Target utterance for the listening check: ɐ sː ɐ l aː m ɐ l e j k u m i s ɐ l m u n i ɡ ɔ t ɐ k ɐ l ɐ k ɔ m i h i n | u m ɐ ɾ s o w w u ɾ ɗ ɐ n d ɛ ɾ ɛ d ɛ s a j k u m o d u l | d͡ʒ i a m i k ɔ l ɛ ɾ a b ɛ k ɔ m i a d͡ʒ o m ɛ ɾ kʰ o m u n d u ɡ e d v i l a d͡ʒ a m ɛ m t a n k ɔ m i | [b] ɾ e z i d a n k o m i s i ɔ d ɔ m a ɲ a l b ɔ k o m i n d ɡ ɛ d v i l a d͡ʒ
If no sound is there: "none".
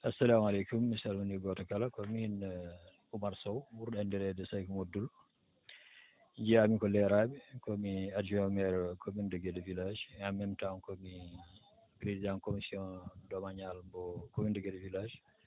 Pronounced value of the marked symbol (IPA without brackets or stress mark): p